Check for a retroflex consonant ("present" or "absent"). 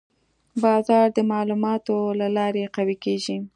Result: absent